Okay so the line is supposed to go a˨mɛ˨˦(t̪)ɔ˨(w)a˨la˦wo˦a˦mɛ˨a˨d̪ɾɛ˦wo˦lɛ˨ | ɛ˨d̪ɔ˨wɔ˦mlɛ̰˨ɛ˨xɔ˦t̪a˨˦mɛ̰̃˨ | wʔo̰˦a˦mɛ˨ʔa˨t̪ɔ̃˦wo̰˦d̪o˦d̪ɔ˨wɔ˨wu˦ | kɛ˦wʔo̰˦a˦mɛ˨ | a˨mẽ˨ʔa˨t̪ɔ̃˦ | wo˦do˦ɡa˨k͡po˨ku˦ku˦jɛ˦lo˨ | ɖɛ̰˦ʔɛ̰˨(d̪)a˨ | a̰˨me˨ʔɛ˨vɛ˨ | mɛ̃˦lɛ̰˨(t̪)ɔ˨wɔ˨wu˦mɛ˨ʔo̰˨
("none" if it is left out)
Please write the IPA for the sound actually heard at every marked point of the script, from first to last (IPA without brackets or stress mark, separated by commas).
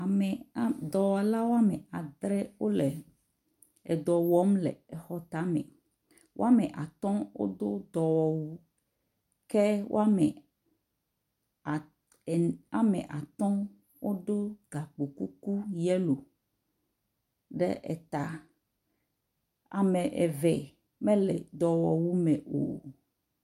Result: d̪, w, t̪, d̪